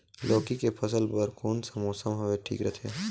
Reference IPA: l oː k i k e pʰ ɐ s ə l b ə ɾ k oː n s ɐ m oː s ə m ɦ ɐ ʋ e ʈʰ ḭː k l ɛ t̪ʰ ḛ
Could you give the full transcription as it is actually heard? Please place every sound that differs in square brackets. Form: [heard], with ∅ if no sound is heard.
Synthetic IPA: l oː k i k e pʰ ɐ s ə l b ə ɾ k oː n s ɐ m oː s ə m ɦ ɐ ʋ e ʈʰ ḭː k [ɾ] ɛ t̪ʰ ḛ